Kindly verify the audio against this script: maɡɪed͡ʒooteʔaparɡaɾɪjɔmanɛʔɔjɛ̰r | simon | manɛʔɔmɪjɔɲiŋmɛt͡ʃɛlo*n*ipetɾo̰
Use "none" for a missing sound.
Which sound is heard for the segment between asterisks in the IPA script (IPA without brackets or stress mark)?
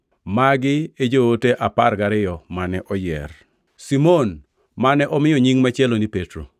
n